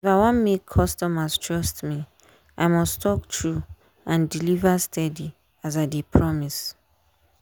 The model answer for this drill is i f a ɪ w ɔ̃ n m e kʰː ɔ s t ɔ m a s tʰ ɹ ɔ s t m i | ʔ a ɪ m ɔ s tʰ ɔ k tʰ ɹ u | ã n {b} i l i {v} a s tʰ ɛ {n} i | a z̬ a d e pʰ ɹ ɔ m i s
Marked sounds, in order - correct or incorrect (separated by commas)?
incorrect, correct, incorrect